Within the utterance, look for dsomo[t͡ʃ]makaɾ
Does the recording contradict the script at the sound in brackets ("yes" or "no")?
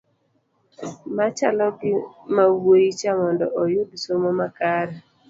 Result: yes